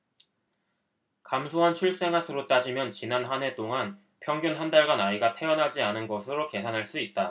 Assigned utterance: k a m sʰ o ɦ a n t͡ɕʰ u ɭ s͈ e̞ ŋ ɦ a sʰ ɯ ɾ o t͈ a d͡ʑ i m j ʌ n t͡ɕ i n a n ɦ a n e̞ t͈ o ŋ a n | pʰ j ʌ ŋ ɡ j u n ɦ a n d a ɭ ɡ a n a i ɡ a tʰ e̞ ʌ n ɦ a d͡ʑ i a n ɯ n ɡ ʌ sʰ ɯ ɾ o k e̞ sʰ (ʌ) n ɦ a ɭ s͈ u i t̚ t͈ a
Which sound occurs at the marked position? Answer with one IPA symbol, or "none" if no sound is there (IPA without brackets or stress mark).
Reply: a